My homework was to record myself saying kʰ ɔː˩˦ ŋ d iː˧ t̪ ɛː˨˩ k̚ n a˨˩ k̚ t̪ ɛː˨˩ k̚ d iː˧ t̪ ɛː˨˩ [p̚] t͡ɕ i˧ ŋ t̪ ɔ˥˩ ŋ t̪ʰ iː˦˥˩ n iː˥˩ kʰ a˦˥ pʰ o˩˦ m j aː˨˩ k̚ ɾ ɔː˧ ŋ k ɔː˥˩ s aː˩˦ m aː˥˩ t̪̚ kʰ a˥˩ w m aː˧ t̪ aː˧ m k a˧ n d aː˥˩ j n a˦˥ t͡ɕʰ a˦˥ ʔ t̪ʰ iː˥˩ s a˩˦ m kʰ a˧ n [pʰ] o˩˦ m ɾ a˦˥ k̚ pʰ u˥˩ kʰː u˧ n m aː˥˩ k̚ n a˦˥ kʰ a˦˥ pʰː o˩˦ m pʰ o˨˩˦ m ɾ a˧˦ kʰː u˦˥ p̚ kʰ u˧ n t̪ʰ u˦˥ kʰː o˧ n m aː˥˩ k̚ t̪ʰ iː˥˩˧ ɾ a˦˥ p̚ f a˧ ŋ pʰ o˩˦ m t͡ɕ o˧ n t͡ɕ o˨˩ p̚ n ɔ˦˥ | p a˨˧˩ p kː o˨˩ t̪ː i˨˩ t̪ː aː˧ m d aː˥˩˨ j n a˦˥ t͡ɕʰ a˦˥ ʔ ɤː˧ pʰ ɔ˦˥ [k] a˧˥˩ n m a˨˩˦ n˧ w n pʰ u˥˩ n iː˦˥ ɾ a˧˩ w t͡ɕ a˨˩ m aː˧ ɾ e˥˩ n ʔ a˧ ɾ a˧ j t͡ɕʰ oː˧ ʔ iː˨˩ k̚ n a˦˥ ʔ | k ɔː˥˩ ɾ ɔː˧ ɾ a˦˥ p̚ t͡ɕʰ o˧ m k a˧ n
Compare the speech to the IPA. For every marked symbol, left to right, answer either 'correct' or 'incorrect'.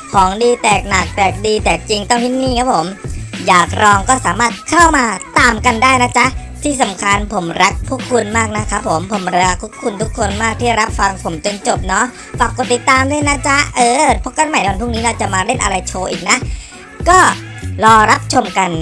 incorrect, correct, correct

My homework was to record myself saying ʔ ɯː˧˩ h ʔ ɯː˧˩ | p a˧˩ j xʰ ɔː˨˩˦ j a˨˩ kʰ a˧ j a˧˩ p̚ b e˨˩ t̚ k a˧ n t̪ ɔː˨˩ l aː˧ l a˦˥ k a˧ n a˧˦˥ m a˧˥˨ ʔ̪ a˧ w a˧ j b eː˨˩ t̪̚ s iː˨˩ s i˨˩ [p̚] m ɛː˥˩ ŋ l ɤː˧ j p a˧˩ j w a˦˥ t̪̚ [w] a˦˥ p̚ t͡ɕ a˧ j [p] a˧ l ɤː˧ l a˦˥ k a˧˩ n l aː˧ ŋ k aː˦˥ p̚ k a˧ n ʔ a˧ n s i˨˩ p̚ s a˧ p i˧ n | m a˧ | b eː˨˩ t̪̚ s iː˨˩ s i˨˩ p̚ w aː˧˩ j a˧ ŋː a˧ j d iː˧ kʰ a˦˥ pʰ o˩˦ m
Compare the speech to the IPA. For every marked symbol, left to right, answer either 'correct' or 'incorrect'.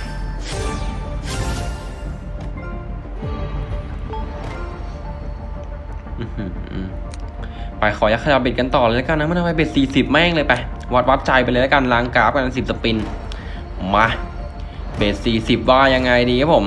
correct, correct, correct

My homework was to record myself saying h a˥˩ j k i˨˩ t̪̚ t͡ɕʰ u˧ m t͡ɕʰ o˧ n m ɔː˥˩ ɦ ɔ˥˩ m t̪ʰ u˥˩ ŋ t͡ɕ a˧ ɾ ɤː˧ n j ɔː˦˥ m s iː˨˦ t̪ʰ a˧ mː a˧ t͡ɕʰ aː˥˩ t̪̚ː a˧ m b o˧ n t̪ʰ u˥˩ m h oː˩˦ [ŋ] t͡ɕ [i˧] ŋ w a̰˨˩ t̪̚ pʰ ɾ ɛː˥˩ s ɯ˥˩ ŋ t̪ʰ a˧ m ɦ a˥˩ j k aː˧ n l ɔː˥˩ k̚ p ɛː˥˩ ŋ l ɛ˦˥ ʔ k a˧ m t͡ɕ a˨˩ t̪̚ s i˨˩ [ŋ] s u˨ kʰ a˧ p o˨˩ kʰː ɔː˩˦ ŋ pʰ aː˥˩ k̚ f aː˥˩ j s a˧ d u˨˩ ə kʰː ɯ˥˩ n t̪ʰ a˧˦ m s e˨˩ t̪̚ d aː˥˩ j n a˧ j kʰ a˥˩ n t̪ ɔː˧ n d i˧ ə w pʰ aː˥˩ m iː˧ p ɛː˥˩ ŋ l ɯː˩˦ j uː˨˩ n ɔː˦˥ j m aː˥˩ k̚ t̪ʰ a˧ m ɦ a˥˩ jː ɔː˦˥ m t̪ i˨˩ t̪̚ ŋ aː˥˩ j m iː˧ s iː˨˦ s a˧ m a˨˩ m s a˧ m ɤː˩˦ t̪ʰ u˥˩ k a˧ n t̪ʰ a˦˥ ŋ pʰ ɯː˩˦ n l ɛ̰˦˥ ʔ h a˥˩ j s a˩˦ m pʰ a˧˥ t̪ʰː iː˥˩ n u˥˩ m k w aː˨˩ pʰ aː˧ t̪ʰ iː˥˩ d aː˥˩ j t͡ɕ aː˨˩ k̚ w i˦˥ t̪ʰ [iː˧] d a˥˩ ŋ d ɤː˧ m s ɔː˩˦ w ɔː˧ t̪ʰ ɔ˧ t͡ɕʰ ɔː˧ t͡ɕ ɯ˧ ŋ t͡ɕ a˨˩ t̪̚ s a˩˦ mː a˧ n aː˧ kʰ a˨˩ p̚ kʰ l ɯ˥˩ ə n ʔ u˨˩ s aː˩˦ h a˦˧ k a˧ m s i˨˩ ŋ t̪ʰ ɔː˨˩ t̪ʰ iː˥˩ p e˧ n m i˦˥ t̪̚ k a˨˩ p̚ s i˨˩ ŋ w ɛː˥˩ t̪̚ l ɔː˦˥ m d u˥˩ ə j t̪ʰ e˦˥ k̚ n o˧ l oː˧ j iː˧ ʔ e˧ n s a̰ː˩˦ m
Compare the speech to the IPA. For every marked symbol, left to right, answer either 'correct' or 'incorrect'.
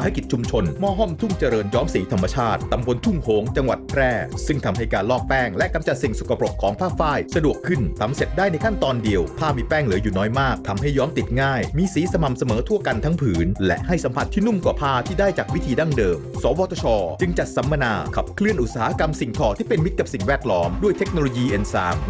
correct, incorrect, correct, correct

